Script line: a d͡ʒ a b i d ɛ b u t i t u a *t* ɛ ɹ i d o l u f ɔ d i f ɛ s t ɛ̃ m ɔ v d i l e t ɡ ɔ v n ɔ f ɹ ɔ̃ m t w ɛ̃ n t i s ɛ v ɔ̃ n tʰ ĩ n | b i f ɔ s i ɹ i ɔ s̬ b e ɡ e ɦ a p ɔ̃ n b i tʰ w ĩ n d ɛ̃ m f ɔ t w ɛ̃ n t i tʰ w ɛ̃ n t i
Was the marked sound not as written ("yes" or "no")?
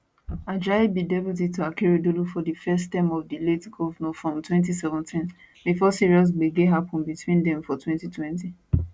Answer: yes